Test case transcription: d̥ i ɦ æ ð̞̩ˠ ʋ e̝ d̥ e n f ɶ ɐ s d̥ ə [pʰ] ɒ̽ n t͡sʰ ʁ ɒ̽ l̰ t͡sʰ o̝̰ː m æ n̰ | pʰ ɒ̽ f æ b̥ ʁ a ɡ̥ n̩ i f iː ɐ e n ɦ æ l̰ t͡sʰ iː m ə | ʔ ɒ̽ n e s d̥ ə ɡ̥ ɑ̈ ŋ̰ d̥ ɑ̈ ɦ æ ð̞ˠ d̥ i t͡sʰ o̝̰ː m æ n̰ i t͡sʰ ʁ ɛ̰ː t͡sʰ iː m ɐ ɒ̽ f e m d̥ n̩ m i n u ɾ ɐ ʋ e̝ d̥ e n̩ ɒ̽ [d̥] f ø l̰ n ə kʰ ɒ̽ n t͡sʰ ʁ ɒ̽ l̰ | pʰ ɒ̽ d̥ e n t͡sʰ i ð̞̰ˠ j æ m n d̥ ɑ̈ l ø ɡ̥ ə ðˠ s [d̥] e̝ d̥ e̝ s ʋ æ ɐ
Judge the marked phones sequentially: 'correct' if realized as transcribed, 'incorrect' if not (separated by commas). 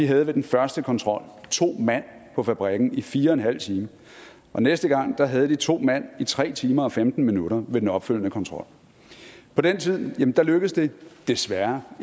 incorrect, incorrect, correct